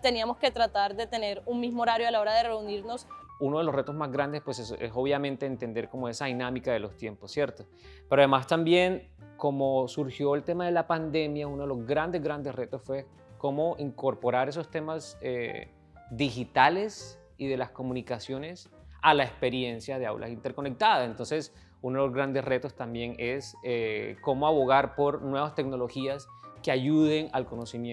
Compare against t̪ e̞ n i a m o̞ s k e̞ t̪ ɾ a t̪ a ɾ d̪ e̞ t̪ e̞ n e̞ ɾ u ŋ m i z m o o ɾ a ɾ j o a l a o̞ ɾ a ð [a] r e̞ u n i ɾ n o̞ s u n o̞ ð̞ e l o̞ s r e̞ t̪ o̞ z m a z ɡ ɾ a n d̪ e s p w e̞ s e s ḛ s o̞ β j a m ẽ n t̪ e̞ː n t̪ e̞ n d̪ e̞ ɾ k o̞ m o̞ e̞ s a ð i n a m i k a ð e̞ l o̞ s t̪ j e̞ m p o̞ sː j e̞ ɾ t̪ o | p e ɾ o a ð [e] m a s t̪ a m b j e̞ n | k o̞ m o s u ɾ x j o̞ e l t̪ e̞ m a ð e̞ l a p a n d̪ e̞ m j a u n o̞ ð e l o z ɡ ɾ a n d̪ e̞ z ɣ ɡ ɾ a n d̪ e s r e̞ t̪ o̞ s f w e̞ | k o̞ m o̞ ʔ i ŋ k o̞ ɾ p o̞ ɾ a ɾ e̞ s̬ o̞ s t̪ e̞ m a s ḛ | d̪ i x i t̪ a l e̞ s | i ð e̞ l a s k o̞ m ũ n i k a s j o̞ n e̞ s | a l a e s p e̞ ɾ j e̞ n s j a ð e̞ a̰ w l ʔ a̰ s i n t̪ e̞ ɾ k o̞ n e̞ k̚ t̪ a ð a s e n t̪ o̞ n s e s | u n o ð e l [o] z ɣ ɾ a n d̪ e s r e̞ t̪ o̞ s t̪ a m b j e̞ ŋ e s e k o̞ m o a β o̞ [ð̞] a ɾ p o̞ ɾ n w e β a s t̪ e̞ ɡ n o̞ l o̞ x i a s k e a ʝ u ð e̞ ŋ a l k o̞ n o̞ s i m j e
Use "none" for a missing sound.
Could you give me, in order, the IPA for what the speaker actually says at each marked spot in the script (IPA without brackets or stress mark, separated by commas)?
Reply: e, e, o, ɣ̞